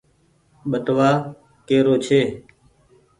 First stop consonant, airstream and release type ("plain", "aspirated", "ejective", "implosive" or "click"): implosive